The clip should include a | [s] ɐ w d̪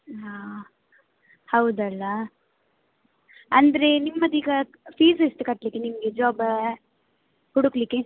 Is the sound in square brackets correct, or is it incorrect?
incorrect: h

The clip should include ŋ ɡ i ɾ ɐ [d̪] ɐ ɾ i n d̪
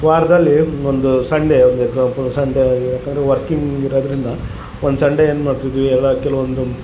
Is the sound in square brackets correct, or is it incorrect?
correct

